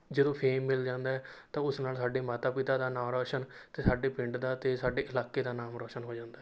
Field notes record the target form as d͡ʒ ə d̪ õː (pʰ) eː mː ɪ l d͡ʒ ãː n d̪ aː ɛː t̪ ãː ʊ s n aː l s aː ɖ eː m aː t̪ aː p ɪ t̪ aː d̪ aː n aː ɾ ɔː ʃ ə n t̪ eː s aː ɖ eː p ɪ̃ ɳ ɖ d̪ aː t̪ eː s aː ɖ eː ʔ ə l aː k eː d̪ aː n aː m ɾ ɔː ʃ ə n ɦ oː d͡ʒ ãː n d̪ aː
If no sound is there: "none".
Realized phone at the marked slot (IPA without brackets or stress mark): pʰ